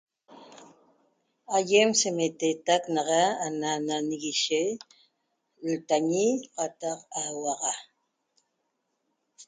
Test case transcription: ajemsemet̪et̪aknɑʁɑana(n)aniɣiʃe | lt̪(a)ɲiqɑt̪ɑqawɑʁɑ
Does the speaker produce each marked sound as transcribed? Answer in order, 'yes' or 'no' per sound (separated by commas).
yes, yes